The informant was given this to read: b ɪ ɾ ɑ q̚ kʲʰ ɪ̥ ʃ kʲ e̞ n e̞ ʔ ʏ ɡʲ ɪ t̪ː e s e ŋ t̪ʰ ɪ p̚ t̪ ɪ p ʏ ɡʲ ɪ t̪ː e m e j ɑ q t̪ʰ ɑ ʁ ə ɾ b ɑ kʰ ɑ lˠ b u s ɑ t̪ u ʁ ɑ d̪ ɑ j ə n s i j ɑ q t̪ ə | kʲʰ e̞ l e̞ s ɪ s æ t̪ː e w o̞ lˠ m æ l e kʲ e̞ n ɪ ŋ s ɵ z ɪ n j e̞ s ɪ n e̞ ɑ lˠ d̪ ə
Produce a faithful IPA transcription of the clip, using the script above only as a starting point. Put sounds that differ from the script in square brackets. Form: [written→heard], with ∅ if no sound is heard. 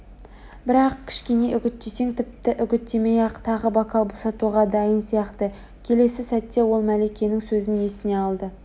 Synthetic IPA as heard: b ɪ ɾ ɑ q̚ kʲʰ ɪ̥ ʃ kʲ e̞ n e̞ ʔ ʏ ɡʲ ɪ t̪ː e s e ŋ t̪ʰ ɪ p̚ t̪ ɪ [p→ʔ] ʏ ɡʲ ɪ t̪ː e m e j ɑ q t̪ʰ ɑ ʁ ə [ɾ→∅] b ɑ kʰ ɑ lˠ b [u→o] s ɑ t̪ u ʁ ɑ d̪ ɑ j ə n s i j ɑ q t̪ ə | kʲʰ e̞ l e̞ s ɪ s æ t̪ː e w o̞ lˠ m æ l e kʲ e̞ n ɪ ŋ s ɵ z ɪ n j e̞ s ɪ n e̞ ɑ lˠ d̪ ə